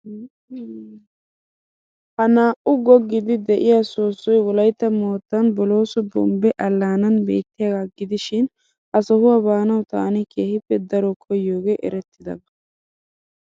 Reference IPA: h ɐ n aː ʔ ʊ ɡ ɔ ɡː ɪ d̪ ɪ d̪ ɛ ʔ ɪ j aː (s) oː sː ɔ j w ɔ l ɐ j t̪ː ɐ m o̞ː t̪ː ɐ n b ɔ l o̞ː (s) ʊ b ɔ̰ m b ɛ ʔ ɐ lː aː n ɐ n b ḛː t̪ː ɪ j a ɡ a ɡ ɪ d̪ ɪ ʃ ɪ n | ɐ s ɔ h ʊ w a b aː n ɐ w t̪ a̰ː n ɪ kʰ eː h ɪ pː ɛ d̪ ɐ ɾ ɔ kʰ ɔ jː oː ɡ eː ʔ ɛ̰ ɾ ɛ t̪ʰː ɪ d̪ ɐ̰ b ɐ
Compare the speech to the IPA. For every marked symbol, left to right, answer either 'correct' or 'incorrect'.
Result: correct, correct

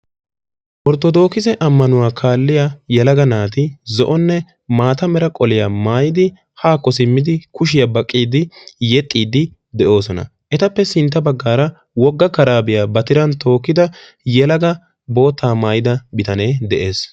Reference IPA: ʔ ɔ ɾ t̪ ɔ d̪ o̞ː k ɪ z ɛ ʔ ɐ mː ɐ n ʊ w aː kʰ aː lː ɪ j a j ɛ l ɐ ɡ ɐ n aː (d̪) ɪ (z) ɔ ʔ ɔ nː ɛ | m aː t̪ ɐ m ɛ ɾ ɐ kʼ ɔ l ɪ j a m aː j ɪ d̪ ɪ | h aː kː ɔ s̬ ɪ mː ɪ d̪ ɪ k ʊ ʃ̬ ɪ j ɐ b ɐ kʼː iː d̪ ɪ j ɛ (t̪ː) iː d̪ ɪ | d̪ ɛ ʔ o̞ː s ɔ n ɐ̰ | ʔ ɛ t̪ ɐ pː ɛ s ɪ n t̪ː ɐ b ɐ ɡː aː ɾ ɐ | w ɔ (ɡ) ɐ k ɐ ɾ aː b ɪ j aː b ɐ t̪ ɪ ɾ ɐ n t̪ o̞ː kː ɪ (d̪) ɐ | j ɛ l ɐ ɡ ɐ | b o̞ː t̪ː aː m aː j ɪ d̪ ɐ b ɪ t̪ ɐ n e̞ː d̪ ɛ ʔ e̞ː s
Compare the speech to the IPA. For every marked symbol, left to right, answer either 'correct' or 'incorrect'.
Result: incorrect, correct, incorrect, incorrect, correct

